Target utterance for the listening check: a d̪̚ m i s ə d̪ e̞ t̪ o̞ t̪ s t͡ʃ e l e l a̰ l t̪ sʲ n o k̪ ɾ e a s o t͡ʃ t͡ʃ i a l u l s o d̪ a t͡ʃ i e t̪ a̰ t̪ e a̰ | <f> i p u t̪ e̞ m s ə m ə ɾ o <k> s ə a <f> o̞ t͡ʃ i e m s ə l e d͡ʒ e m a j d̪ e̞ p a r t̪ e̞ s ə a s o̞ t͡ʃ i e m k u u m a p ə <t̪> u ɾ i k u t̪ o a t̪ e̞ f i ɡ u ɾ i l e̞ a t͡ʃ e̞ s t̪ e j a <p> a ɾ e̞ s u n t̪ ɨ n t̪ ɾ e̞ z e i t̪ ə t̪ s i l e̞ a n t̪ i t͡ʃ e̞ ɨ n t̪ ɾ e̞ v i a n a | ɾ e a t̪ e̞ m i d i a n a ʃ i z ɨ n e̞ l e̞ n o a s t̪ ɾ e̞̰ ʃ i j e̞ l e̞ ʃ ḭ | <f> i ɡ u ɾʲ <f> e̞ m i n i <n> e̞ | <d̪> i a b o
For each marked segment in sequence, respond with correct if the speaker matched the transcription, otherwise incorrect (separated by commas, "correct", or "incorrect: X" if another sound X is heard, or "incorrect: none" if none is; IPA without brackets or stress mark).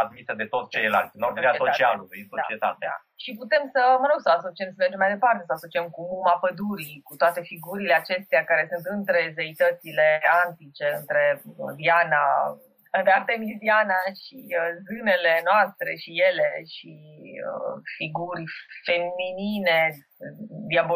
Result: incorrect: ʃ, incorrect: ɡ, incorrect: s, incorrect: d̪, incorrect: k, correct, correct, correct, correct